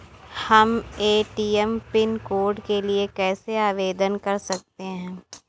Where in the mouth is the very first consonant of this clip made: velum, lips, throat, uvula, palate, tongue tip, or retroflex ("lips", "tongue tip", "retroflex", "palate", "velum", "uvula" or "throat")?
throat